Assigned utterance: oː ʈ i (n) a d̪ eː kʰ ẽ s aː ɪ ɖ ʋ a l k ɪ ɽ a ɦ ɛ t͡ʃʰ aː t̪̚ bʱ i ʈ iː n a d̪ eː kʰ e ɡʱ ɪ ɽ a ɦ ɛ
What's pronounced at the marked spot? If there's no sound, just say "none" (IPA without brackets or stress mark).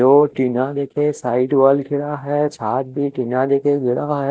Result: n